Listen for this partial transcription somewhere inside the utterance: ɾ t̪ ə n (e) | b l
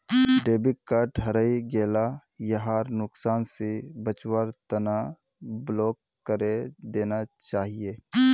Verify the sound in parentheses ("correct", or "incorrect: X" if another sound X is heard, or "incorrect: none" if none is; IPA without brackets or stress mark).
incorrect: a